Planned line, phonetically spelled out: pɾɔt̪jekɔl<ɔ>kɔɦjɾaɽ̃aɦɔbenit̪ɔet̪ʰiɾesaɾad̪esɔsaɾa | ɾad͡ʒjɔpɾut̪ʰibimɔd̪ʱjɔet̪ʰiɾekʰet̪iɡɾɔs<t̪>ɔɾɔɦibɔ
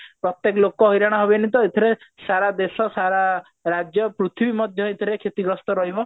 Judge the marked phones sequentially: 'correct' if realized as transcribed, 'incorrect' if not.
incorrect: o, correct

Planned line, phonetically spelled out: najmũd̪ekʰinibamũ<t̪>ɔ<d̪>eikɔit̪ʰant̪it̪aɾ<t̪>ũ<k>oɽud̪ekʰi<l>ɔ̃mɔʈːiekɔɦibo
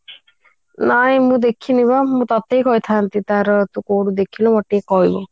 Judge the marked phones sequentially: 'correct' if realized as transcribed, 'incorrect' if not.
correct, incorrect: t̪, correct, correct, correct

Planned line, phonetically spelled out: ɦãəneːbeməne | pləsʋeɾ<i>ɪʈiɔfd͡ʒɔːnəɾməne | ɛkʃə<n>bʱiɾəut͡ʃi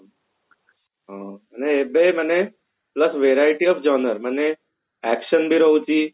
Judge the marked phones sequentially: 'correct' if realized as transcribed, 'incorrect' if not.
incorrect: a, correct

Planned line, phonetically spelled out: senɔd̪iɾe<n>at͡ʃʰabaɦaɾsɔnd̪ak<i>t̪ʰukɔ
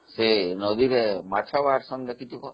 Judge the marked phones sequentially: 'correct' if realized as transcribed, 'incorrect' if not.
incorrect: m, correct

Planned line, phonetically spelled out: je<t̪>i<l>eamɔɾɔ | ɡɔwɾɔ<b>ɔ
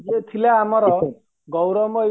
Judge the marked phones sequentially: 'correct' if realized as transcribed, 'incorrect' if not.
incorrect: t̪ʰ, correct, incorrect: m

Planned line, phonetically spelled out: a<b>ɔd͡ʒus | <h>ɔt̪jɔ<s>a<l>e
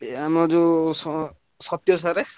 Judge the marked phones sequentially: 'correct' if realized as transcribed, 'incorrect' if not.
incorrect: m, incorrect: s, correct, incorrect: ɾ

